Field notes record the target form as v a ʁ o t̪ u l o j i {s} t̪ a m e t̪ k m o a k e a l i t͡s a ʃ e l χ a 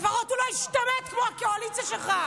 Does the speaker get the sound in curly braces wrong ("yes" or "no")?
yes